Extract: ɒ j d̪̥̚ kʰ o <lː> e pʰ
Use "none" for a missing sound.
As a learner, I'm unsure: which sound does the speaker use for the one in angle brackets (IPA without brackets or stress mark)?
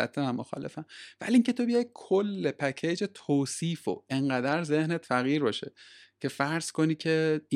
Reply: lː